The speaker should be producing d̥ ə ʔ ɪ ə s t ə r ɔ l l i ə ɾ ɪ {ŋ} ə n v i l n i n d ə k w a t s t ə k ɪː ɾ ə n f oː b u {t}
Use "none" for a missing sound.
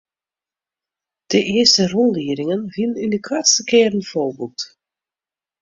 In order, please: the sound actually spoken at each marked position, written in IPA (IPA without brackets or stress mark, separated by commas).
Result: ŋ, t